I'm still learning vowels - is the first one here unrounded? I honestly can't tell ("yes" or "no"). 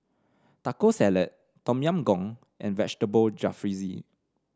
yes